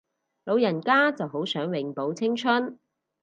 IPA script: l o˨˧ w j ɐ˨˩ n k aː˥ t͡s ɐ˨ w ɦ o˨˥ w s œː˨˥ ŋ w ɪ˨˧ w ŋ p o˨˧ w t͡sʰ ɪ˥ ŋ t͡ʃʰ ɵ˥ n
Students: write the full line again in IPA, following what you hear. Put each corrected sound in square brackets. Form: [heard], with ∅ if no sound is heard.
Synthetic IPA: l o˨˧ w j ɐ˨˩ n k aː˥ t͡s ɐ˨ w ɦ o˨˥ w s œː˨˥ ŋ w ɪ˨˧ [∅] ŋ p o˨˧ w t͡sʰ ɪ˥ ŋ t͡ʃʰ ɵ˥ n